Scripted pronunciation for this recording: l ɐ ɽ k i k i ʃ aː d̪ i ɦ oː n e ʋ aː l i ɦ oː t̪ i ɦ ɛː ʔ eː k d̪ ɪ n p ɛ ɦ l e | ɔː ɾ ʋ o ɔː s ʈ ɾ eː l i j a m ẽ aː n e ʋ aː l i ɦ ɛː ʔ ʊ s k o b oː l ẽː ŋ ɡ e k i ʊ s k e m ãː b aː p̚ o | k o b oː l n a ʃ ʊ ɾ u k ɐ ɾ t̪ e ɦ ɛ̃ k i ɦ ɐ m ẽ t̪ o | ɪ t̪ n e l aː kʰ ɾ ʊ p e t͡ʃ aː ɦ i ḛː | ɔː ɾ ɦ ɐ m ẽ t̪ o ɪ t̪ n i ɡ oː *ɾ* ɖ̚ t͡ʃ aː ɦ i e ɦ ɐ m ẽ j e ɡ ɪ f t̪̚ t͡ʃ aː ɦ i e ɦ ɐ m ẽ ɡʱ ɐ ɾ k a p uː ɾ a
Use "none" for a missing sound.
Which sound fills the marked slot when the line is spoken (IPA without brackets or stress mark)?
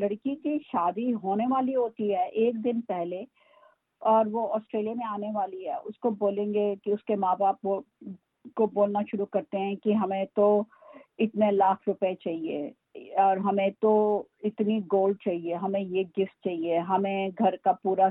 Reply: l